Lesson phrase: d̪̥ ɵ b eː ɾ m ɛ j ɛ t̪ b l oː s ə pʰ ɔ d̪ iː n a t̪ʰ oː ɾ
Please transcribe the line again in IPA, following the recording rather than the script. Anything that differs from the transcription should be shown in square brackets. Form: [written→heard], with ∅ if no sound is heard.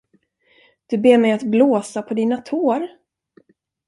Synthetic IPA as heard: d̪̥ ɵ b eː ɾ m ɛ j [ɛ→a] t̪ b l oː s [ə→a] pʰ ɔ d̪ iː n a t̪ʰ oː ɾ